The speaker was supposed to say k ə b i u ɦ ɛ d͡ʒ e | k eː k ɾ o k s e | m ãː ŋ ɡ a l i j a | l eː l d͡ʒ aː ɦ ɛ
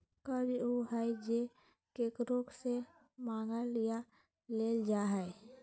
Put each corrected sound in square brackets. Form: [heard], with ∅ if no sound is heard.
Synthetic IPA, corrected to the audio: k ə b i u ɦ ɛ d͡ʒ e | k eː k ɾ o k s e | m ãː ŋ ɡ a l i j a | l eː l d͡ʒ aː ɦ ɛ